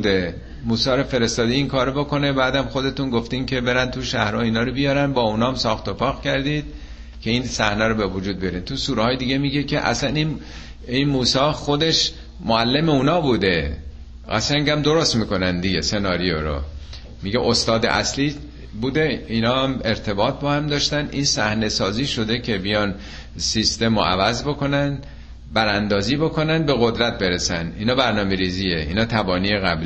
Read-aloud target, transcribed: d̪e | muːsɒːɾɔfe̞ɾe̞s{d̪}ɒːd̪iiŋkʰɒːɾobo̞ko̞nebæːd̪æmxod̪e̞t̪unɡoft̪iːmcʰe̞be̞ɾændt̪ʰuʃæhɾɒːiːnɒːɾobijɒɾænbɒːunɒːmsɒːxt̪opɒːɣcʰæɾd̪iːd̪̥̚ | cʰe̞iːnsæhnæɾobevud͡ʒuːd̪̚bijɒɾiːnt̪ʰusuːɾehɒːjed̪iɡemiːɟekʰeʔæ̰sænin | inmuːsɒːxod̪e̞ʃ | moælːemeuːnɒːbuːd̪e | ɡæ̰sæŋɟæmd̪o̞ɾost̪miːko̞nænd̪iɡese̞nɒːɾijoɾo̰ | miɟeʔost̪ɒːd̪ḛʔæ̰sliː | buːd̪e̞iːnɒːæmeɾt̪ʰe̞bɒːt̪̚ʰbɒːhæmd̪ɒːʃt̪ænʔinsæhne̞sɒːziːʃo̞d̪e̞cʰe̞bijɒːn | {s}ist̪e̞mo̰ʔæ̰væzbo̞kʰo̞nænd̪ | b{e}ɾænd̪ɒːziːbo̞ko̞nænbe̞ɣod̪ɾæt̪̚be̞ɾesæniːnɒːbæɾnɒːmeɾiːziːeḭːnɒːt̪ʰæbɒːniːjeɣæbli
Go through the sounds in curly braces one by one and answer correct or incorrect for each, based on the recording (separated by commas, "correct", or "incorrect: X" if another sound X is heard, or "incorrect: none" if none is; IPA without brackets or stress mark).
incorrect: t̪, correct, incorrect: æ